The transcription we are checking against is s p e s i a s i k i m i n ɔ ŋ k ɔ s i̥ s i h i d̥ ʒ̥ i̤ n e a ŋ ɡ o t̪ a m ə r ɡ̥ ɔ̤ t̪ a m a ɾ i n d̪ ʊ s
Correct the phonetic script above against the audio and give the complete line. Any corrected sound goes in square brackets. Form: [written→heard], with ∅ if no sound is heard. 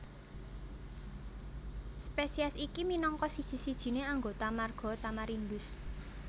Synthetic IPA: s p e s i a s i k i m i n ɔ ŋ k ɔ s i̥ s i [h→s] i d̥ ʒ̥ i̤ n e a ŋ ɡ o t̪ a m [ə→a] r ɡ̥ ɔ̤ t̪ a m a ɾ i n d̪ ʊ s